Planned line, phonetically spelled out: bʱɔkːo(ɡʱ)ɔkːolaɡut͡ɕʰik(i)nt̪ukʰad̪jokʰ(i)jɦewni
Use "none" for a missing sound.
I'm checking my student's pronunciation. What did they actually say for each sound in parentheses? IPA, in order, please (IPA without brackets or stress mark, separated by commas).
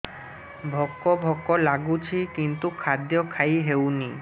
bʱ, i, a